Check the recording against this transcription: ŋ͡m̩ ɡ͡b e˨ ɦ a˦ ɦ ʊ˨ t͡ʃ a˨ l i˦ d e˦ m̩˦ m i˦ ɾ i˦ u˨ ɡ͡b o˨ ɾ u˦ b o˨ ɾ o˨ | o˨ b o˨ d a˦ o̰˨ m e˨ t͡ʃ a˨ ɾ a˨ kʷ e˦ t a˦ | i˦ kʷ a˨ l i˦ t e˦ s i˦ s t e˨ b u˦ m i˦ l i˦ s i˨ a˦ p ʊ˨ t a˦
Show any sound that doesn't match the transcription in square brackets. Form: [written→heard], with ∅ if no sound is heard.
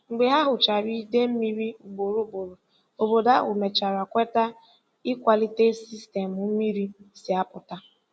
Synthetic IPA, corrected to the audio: ŋ͡m̩ ɡ͡b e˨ ɦ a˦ ɦ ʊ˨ t͡ʃ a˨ [l→ɾ] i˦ d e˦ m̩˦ m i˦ ɾ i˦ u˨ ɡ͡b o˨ ɾ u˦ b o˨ ɾ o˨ | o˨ b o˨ d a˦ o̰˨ m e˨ t͡ʃ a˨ ɾ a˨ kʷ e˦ t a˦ | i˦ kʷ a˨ l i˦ t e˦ s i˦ s t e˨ [b→m] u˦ m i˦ [l→ɾ] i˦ s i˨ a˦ p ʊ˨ t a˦